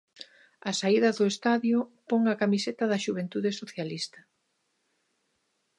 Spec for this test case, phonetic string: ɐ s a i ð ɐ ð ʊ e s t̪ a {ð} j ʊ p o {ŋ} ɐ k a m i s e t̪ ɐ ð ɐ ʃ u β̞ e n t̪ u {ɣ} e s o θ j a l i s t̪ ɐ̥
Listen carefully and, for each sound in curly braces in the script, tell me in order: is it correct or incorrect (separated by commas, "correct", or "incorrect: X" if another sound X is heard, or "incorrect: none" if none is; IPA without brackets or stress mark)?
correct, correct, incorrect: ð